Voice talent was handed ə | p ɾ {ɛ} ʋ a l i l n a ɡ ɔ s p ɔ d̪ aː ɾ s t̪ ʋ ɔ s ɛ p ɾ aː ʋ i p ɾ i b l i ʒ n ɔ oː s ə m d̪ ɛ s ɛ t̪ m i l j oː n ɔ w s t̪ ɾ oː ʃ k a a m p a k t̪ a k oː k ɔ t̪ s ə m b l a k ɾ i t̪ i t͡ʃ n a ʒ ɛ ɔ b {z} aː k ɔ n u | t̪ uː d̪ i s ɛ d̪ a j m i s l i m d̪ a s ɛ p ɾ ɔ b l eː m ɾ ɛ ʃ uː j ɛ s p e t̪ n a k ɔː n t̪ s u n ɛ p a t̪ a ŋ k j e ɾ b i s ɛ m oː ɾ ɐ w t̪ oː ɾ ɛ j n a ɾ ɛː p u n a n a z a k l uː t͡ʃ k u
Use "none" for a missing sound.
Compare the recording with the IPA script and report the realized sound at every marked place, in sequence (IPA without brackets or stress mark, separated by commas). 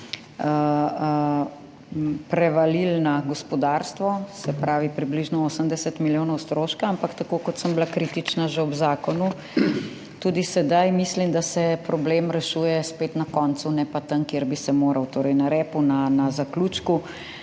ɛ, z